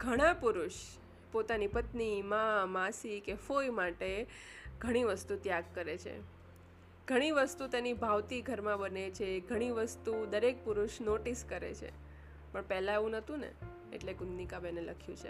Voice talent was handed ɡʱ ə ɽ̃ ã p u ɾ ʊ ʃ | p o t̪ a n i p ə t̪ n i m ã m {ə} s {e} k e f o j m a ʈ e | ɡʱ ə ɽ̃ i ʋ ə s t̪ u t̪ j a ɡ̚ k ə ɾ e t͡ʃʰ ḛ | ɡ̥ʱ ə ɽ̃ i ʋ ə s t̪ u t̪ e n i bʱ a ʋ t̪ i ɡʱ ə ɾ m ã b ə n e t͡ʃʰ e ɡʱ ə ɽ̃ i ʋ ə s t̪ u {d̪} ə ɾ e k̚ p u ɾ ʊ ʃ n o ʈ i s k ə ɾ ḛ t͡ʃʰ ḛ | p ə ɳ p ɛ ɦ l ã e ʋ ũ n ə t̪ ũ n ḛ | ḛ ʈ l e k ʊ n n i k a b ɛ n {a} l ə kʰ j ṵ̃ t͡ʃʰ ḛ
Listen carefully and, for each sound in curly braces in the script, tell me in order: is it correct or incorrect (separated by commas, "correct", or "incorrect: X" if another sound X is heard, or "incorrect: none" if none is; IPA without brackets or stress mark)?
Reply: incorrect: a, incorrect: i, correct, incorrect: e